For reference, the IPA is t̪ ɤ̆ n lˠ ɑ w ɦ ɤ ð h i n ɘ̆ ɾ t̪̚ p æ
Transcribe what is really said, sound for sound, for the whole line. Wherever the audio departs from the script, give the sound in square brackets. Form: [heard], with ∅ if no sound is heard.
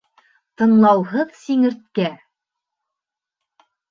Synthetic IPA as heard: t̪ ɤ̆ n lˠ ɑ w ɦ ɤ ð [s] i [ŋ] ɘ̆ ɾ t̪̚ [k] æ